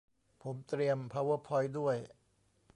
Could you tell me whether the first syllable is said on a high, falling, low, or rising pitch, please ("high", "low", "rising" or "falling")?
rising